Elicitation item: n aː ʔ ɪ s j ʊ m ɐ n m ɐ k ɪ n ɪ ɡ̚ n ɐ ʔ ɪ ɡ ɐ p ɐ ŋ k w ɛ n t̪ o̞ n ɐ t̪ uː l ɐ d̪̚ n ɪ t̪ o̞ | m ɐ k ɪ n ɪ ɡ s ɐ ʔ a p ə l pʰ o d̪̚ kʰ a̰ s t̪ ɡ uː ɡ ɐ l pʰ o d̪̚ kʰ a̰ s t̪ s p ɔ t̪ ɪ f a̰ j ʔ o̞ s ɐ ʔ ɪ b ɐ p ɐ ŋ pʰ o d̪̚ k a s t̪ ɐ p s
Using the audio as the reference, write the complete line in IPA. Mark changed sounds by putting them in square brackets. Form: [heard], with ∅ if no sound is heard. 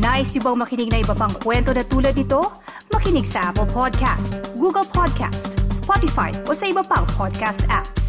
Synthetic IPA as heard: n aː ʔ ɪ s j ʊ [b] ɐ [ŋ] m ɐ k ɪ n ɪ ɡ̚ n ɐ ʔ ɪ [b] ɐ p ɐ ŋ k w ɛ n t̪ o̞ n ɐ t̪ uː l ɐ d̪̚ n ɪ t̪ o̞ | m ɐ k ɪ n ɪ ɡ s ɐ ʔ a p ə l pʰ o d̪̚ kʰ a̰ s t̪ ɡ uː ɡ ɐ l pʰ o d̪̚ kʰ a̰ s t̪ s p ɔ t̪ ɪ f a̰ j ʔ o̞ s ɐ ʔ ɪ b ɐ p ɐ ŋ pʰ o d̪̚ k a s t̪ [a] p s